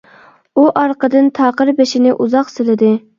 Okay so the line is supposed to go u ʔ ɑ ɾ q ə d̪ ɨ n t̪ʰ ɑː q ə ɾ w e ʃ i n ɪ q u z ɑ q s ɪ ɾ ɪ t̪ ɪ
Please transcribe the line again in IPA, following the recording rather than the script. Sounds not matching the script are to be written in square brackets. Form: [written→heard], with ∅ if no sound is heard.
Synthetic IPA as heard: u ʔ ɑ ɾ q ə d̪ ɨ n t̪ʰ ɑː q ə ɾ [w→b] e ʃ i n ɪ [q→ʔ] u z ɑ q s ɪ [ɾ→l] ɪ [t̪→d̪] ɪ